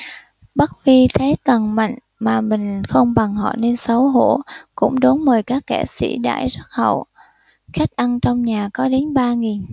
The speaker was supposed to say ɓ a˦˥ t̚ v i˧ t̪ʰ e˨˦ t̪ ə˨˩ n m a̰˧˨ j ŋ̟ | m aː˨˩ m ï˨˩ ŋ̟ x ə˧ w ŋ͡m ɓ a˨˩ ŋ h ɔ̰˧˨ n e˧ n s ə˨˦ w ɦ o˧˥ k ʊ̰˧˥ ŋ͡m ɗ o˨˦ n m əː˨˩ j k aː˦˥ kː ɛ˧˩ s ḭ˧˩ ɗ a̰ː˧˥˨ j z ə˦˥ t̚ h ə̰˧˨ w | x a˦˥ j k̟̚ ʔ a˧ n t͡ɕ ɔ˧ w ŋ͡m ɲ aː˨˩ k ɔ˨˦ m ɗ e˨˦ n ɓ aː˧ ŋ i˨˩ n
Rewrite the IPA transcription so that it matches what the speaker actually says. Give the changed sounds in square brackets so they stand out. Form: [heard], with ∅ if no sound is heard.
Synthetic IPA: ɓ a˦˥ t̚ v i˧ t̪ʰ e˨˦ t̪ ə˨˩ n m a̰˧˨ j ŋ̟ | m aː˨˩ m ï˨˩ ŋ̟ x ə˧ w ŋ͡m ɓ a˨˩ ŋ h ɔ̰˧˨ n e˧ n s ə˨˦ w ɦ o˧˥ k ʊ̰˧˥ ŋ͡m ɗ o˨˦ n m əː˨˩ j k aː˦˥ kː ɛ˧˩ s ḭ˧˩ ɗ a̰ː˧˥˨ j z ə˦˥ t̚ h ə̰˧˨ w | x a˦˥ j k̟̚ ʔ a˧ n t͡ɕ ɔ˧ w ŋ͡m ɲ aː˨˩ k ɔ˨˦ [∅] ɗ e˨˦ n ɓ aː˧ ŋ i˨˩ n